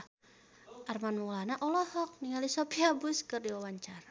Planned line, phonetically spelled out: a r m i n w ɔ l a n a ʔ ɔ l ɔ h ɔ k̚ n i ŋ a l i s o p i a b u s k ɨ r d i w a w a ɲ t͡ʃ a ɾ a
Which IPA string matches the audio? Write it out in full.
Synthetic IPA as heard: a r m a n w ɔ l a n a ʔ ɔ l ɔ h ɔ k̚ n i ŋ a l i s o p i a b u s k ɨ r d i w a w a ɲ t͡ʃ a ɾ a